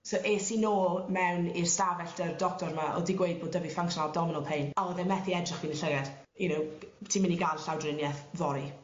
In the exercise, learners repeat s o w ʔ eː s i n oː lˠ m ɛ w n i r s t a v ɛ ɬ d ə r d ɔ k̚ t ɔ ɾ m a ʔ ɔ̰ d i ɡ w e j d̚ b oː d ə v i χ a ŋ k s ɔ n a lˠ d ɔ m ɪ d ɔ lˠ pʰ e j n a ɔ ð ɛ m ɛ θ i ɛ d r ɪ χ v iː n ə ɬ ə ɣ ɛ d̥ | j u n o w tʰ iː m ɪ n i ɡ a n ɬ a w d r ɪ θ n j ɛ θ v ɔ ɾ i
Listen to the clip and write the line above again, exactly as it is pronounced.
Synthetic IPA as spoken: s o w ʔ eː s i n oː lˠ m ɛ w n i r s t a v ɛ ɬ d ə r d ɔ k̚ t ɔ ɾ m a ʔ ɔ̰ d i ɡ w e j d̚ b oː d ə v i f a ŋ k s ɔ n a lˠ d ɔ m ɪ n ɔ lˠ pʰ e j n a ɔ ð ɛ m ɛ θ i ɛ d r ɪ χ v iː n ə ɬ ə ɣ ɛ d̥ | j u n o w tʰ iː m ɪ n i ɡ a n ɬ a w d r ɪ n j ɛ θ v ɔ ɾ i